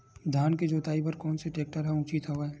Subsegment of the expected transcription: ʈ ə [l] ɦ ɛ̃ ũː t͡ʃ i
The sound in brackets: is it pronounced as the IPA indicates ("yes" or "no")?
no